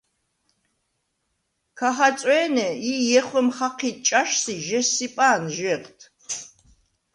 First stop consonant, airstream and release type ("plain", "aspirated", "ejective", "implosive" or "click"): aspirated